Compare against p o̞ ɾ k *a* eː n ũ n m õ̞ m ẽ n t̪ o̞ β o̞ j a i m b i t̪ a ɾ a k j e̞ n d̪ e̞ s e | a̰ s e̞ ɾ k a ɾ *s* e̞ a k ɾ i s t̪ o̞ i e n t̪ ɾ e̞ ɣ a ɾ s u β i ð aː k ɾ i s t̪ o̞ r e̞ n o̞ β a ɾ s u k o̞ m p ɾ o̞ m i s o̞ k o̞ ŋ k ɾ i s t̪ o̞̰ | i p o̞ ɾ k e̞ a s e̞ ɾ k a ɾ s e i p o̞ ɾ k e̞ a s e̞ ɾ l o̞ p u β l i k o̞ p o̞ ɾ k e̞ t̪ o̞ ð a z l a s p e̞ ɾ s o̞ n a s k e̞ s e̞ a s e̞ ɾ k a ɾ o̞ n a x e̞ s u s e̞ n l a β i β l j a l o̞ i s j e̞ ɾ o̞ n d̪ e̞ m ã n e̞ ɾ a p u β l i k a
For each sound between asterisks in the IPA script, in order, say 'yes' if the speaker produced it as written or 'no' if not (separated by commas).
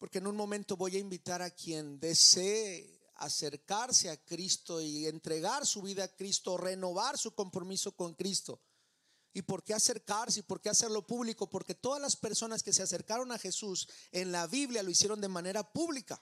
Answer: no, yes